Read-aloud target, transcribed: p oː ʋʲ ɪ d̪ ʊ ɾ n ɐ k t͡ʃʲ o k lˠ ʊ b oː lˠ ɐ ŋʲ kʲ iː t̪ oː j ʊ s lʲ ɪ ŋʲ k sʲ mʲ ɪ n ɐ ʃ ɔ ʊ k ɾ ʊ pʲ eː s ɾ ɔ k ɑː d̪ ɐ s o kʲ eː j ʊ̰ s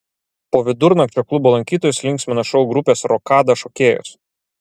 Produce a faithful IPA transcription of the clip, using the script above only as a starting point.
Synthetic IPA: p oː ʋʲ ɪ d̪ ʊ ɾ n ɐ k t͡ʃʲ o k lˠ ʊ b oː lˠ ɐ ŋʲ kʲ iː t̪ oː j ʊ s lʲ ɪ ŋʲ k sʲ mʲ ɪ n ɐ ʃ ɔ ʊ ɡ ɾ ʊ pʲ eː s ɾ ɔ k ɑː d̪ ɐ ʃ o kʲ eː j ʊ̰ s